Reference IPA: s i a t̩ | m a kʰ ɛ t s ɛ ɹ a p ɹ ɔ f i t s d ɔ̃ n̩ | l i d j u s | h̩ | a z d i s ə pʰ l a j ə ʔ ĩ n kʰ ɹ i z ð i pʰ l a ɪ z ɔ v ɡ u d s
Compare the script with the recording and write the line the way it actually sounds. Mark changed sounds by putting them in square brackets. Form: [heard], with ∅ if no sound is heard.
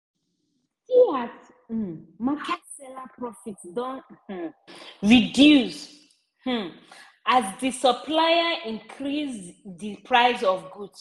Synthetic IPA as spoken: s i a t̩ | m a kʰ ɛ t s ɛ [l] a p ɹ ɔ f i t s d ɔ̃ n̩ | [ɹ] i d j u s | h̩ | a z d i s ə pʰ l a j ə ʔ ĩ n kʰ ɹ i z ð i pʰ [ɹ] a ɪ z ɔ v ɡ u d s

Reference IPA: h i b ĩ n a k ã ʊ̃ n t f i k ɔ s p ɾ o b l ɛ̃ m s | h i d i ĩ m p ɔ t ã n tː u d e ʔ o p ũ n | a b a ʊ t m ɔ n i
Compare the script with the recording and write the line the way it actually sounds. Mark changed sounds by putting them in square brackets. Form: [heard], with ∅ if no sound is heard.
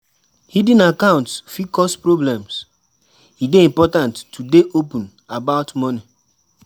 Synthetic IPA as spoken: h i [d] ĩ n a k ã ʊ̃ n t f i k ɔ s p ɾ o b l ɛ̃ m s | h i d [e] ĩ m p ɔ t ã n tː u d e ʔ o p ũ n | a b a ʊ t m ɔ n i

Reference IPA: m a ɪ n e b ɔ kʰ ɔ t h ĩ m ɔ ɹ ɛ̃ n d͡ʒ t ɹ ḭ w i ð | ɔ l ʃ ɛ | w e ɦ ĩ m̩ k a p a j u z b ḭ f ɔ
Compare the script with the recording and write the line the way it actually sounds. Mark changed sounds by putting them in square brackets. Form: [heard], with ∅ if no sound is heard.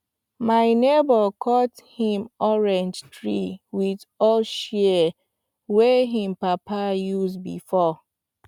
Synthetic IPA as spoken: m a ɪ n e b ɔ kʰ ɔ t h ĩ m ɔ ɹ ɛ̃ n d͡ʒ t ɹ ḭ w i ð | ɔ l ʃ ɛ | w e ɦ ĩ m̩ [p] a p a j u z b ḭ f ɔ

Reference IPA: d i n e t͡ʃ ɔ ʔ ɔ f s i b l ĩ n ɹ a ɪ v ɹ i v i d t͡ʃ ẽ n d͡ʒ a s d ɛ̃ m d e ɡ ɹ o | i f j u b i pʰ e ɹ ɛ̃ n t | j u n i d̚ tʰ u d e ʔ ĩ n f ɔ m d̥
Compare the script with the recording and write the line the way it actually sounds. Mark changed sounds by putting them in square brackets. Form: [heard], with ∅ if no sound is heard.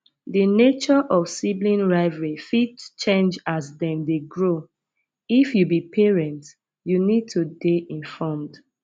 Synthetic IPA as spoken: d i n e t͡ʃ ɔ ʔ ɔ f s i b l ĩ n ɹ a ɪ v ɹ i [f] i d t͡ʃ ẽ n d͡ʒ a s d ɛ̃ m d e ɡ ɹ o | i f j u b i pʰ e ɹ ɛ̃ n t | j u n i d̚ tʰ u d e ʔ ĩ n f ɔ m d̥

